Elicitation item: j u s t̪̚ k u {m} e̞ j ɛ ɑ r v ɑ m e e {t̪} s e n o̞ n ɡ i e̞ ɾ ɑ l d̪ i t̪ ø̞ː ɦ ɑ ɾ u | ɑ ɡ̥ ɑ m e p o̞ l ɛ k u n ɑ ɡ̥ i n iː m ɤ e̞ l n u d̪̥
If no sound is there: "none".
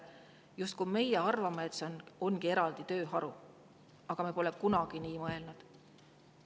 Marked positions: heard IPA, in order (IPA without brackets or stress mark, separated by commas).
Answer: m, t̪